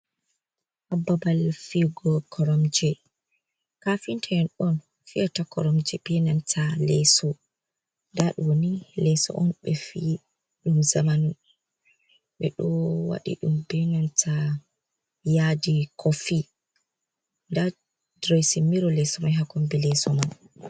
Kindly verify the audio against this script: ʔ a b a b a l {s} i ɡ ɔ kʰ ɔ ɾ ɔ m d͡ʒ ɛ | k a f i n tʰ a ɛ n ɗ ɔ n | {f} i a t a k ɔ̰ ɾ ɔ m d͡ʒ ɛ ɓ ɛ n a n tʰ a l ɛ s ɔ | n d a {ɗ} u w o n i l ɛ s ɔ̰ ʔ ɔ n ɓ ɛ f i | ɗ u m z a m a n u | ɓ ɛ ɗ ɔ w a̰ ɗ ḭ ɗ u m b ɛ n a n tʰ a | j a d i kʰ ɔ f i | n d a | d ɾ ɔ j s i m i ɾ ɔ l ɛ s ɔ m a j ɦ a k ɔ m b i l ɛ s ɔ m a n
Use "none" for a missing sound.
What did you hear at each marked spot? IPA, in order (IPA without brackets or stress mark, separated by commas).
f, f, ɗ